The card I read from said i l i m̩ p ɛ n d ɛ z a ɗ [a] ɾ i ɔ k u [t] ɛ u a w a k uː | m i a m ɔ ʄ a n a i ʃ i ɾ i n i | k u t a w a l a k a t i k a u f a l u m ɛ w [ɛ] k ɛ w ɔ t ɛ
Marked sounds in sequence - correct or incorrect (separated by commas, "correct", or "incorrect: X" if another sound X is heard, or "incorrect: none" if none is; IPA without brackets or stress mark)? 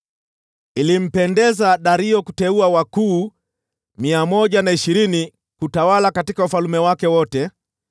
correct, correct, incorrect: a